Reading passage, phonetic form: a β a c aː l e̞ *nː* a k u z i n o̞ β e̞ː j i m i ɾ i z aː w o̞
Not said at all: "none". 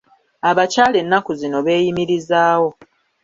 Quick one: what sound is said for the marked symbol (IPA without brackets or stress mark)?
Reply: nː